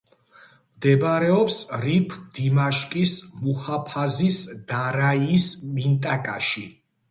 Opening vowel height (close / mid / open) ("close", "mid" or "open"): mid